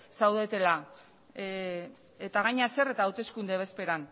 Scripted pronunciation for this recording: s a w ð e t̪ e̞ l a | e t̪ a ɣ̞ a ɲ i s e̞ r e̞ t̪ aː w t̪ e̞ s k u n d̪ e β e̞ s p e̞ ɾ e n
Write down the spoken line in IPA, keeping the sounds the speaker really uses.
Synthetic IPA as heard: s a w ð e t̪ e̞ l a | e t̪ a ɣ̞ a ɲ a s e̞ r e̞ t̪ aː w t̪ e̞ s k u n d̪ e β e̞ s p e̞ ɾ a n